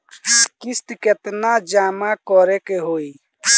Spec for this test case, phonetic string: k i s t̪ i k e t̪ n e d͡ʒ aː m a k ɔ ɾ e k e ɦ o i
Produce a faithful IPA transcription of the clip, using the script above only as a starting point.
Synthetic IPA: k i s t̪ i k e t̪ n a d͡ʒ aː m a k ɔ ɾ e k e ɦ o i

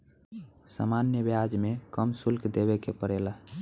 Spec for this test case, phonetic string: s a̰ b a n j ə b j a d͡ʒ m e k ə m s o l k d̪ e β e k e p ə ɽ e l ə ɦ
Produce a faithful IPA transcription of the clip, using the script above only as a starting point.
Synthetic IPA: s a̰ m a n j ə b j a d͡ʒ m e k ə m s u l k d̪ e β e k e p ə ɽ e l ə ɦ

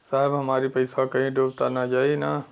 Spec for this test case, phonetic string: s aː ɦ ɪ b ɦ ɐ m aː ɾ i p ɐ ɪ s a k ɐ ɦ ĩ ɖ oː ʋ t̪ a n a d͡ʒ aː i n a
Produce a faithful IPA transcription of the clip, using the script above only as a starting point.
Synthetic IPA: s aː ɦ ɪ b ɦ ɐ m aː ɾ i p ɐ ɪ s a k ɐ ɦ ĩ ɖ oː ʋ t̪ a n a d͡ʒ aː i n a

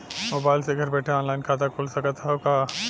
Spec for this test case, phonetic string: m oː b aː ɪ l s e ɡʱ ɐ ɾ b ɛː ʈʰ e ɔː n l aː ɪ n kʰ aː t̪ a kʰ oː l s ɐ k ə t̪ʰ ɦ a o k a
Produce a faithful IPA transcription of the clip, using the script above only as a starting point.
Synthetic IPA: m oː b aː ɪ l s e ɡʱ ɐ ɾ b ɛː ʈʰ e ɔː n l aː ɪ n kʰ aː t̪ a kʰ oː l s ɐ k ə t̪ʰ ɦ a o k a

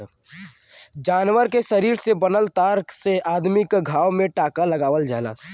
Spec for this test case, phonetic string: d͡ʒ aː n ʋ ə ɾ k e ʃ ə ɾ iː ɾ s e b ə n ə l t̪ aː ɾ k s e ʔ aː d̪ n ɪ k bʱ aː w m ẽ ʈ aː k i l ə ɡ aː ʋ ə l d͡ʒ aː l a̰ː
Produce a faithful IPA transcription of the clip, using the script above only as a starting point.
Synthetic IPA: d͡ʒ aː n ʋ ə ɾ k e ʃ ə ɾ iː ɾ s e b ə n ə l t̪ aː ɾ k s e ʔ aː d̪ m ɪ k ɡʱ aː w m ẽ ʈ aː k a l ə ɡ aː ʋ ə l d͡ʒ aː l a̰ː

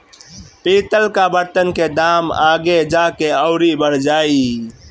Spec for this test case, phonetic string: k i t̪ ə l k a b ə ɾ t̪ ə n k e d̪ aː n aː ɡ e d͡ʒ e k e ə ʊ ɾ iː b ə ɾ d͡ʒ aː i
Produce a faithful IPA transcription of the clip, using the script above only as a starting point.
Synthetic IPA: p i t̪ ə l k a b ə ɾ t̪ ə n k e d̪ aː m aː ɡ e d͡ʒ a k e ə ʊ ɾ i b ə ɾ d͡ʒ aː i

